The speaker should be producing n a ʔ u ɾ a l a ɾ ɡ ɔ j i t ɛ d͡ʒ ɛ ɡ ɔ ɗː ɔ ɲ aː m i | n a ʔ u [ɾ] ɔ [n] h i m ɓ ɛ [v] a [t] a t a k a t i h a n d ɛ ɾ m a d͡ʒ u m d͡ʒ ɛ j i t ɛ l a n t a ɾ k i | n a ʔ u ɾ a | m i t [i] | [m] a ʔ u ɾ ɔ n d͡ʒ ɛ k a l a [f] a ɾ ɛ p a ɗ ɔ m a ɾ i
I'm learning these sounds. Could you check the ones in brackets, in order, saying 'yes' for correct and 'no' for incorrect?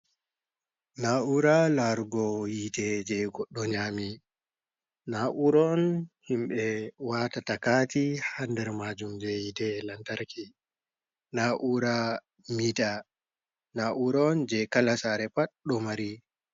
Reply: yes, yes, no, yes, no, no, no

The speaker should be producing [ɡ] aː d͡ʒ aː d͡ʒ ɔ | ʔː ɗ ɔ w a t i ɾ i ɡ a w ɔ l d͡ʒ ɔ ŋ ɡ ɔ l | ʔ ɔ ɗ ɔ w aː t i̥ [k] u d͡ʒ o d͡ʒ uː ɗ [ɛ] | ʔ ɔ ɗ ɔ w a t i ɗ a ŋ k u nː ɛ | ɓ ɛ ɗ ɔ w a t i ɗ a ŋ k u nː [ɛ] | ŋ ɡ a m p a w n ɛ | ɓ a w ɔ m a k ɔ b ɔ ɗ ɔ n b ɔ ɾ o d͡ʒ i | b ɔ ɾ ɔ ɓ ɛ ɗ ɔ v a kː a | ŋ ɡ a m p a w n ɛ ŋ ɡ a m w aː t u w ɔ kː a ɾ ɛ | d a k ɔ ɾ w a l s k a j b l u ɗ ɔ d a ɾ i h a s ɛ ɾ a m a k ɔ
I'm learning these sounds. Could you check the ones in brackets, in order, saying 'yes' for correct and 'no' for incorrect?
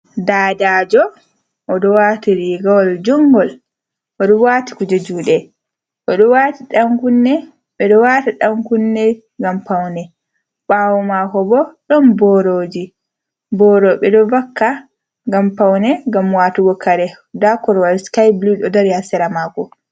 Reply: no, yes, yes, yes

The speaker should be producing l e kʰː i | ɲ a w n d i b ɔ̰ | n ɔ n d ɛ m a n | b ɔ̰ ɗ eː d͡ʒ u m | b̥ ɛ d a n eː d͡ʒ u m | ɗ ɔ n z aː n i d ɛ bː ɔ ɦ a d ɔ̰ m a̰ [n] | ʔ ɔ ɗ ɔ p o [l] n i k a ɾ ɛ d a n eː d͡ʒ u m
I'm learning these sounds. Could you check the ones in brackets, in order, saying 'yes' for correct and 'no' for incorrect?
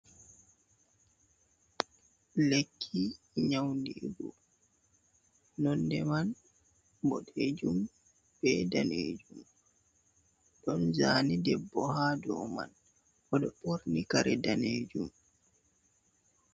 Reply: yes, no

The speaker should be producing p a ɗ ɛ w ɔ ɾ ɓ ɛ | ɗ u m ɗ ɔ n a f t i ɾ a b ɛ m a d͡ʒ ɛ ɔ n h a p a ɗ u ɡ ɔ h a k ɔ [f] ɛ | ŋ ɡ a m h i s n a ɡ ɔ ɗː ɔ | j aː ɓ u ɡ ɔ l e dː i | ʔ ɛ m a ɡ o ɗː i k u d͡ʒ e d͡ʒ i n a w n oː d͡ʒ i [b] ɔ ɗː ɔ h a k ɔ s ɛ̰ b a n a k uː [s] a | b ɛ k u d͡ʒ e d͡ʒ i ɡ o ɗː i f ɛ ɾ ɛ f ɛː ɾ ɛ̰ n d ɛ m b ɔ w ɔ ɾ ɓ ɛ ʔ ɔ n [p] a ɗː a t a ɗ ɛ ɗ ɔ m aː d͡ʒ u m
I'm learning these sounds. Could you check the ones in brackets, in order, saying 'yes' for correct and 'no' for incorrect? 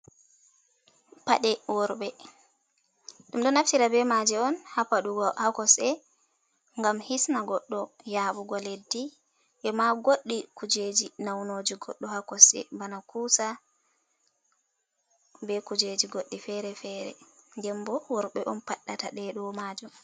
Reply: no, no, yes, yes

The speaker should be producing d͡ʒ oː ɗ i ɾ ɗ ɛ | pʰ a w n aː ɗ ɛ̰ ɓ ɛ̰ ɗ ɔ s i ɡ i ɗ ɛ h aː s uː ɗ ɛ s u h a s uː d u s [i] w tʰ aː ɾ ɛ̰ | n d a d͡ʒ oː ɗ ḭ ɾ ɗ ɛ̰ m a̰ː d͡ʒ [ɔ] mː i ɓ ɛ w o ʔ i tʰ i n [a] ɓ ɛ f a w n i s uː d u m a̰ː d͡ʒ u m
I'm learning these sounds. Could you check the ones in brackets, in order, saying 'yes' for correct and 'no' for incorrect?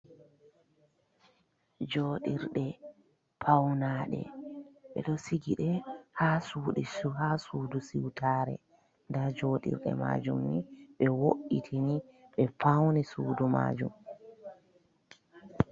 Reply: yes, no, no

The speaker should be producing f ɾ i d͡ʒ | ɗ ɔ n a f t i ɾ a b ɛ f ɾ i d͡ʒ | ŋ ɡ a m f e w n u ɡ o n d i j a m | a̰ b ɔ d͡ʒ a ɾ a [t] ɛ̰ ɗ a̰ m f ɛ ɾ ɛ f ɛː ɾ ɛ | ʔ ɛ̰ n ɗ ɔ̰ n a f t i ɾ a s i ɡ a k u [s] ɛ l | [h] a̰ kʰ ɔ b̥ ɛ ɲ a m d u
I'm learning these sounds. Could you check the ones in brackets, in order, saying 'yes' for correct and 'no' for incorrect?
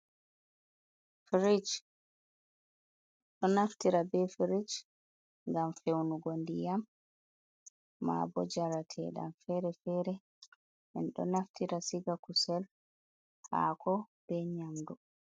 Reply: no, yes, yes

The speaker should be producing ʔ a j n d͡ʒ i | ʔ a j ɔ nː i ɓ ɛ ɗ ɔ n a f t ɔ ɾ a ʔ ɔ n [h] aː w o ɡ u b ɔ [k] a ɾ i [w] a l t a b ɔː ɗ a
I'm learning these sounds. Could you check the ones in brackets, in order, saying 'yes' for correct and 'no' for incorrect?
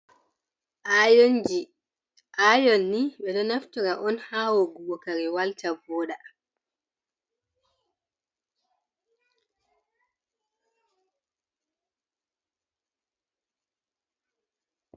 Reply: yes, yes, yes

